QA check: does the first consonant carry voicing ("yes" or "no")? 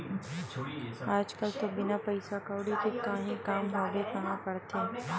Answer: yes